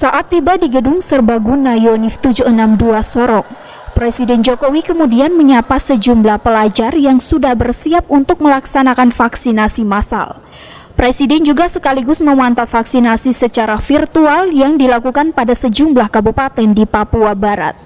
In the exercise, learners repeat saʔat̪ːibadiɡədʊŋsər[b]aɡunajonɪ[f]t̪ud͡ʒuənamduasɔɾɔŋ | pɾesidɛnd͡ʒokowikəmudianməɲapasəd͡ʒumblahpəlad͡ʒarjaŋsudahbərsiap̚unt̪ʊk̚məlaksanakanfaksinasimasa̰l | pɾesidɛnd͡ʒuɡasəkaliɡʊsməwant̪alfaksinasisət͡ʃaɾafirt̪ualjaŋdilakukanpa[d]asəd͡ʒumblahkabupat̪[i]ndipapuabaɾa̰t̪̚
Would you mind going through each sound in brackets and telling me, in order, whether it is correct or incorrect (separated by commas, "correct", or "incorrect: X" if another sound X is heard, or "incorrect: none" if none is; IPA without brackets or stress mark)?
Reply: correct, correct, correct, incorrect: ɛ